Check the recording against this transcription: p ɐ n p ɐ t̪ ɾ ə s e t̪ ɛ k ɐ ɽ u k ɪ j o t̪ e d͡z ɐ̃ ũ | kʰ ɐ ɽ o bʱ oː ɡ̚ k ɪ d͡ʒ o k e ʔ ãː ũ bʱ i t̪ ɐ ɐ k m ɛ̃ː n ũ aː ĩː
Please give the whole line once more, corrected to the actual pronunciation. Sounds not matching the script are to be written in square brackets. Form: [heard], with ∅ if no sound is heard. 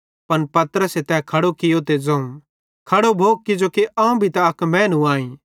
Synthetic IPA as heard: p ɐ n p ɐ t̪ ɾ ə s e t̪ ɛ [kʰ] ɐ ɽ [o] k ɪ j o t̪ e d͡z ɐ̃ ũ | kʰ ɐ ɽ o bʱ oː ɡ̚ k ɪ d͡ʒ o k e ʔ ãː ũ bʱ i t̪ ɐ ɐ k m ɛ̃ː n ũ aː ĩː